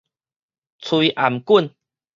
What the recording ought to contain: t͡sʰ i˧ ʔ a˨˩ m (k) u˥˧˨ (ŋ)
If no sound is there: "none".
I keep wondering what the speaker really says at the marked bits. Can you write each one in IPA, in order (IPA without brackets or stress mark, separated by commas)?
k, n